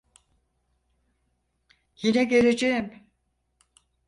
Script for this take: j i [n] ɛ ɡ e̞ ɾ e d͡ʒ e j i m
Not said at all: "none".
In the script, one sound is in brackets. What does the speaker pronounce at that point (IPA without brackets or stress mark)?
n